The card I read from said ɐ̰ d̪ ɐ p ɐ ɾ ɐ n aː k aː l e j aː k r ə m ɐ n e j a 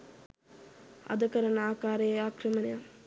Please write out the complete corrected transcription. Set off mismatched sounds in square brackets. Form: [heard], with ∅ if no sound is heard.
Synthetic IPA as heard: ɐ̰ d̪ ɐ [k] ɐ ɾ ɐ n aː k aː [ɾ] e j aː k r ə m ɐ n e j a

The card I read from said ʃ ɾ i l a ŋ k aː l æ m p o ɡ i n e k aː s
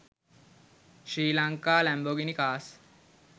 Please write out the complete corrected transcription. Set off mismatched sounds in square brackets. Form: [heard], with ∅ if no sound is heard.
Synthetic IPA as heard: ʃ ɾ [iː] l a ŋ k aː l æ m [b] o ɡ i n [i] k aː s

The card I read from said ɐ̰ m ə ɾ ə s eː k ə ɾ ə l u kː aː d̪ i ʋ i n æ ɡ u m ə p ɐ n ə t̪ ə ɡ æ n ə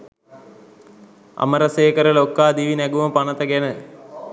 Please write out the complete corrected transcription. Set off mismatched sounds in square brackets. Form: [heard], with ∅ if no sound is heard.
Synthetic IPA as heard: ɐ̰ m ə ɾ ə s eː k ə ɾ ə l [o] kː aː d̪ i ʋ i n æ ɡ u m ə p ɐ n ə t̪ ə ɡ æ n ə

